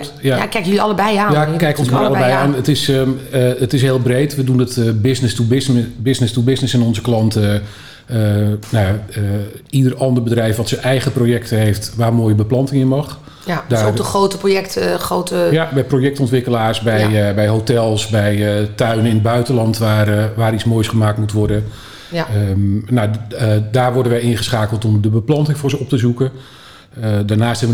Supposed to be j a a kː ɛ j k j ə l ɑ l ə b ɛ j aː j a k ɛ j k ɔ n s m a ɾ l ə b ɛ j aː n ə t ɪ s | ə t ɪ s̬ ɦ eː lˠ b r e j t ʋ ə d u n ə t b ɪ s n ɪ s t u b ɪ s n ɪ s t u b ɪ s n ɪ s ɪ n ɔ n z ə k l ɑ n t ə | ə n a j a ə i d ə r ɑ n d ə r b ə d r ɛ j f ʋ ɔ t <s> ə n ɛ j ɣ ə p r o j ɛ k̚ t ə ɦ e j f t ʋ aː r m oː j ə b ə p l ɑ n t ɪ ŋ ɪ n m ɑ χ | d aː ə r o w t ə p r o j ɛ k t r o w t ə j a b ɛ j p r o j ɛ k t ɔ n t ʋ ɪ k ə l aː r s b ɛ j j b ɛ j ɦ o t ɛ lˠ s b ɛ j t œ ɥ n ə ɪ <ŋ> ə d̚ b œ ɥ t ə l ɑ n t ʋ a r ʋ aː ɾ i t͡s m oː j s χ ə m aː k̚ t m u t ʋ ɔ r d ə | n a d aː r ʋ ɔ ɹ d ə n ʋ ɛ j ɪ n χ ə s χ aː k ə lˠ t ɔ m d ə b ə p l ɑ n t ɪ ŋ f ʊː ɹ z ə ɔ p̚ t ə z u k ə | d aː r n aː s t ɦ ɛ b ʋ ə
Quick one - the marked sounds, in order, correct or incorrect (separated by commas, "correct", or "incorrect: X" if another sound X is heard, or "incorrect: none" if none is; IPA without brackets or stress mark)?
correct, incorrect: n